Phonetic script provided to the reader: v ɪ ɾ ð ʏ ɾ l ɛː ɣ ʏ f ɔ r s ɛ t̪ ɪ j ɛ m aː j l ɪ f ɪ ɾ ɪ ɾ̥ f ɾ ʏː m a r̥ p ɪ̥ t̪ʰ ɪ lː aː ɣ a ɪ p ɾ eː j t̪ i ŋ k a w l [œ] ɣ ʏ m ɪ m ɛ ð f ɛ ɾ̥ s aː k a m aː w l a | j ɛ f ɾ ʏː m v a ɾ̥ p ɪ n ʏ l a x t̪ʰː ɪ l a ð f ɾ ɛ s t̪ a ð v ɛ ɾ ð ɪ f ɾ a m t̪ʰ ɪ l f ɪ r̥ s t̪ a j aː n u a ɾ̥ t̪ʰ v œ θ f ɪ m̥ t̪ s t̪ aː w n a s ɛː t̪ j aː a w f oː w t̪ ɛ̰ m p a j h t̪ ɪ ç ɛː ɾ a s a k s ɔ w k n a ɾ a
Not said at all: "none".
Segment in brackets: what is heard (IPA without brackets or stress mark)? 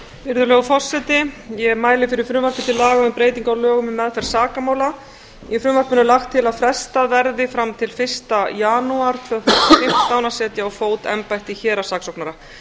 œː